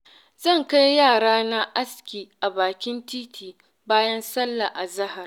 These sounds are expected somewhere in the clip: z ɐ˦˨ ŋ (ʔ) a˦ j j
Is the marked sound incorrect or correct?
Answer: incorrect